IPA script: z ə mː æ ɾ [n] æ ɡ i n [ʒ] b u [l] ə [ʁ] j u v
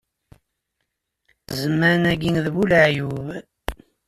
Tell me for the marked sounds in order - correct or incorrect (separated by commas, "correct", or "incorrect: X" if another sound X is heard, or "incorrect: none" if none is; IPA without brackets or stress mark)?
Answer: correct, incorrect: ð, correct, incorrect: ʕ